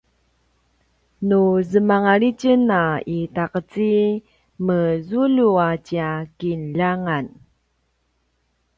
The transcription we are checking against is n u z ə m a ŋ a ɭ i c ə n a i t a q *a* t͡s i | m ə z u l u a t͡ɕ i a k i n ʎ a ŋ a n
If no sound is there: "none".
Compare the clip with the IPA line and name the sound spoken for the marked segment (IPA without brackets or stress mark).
ə